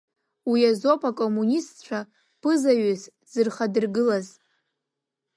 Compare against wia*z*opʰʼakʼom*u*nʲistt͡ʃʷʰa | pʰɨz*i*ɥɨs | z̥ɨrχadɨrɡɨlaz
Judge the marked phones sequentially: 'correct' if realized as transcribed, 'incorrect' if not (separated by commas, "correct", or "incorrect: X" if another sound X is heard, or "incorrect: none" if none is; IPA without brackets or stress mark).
correct, correct, incorrect: a